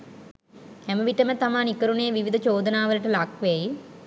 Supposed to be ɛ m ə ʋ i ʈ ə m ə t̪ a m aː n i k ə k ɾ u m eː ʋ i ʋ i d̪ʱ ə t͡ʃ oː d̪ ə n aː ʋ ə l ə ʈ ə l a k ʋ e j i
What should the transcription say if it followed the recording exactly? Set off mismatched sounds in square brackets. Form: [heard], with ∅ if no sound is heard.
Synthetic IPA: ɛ m ə ʋ i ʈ ə m ə t̪ a m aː n i k ə [∅] ɾ u [n] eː ʋ i ʋ i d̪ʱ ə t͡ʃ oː d̪ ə n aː ʋ ə l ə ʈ ə l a k ʋ e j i